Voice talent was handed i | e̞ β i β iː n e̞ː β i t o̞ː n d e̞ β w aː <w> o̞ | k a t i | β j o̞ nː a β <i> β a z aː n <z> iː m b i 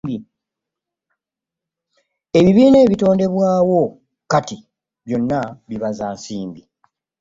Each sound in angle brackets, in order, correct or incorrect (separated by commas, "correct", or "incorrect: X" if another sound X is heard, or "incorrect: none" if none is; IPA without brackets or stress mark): correct, correct, incorrect: s